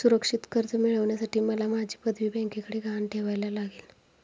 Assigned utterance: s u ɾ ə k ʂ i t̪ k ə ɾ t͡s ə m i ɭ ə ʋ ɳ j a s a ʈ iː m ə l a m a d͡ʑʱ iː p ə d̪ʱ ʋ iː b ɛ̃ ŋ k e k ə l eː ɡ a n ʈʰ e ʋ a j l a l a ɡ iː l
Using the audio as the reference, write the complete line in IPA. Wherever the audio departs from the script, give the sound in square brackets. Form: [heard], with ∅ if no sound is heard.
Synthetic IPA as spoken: s u ɾ ə k ʂ i t̪ k ə ɾ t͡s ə m i ɭ ə ʋ ɳ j a s a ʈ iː m ə l a m a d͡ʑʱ iː p ə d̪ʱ ʋ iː b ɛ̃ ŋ k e k ə [ɽ] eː ɡ a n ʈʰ e ʋ a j l a l a ɡ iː l